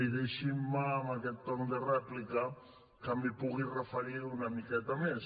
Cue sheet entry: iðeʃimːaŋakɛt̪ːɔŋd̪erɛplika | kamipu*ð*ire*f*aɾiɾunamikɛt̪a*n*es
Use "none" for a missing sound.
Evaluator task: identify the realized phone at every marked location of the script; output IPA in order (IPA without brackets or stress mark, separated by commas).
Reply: ɣ, f, m